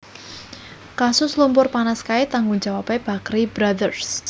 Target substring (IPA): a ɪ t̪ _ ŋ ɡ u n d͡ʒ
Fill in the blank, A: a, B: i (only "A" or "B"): A